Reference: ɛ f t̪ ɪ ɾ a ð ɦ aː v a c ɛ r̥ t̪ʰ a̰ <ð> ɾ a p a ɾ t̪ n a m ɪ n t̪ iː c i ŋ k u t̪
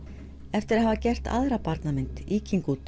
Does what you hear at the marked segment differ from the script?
no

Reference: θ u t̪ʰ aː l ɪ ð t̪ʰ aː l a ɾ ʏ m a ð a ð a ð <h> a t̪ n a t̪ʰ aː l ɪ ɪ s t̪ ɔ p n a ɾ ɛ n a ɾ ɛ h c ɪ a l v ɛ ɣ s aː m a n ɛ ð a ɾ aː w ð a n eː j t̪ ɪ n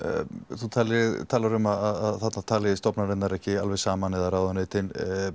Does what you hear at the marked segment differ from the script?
yes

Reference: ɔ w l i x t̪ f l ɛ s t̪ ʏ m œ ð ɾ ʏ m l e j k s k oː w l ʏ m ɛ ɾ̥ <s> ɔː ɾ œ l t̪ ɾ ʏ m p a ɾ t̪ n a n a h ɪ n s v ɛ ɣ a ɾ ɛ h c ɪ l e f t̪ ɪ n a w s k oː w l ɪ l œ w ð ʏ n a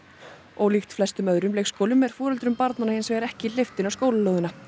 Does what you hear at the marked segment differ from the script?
yes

